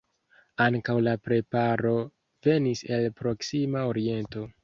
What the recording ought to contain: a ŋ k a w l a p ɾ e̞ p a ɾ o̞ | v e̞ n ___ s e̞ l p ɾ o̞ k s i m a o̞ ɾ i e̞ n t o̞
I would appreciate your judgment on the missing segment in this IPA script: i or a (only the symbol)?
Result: i